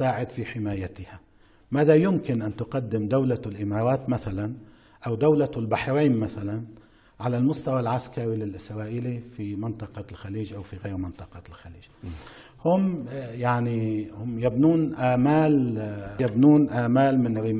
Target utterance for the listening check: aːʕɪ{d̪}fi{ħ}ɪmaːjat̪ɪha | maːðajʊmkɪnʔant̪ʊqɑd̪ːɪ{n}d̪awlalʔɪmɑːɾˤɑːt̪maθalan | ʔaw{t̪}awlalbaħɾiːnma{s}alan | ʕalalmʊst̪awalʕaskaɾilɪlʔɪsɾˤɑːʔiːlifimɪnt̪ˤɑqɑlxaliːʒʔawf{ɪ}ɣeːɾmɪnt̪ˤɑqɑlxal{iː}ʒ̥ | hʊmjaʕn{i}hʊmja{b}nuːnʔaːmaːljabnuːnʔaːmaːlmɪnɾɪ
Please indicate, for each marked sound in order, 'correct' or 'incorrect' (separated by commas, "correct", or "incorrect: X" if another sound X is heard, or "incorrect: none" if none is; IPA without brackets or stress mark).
correct, correct, incorrect: m, incorrect: d̪, incorrect: θ, incorrect: i, correct, correct, correct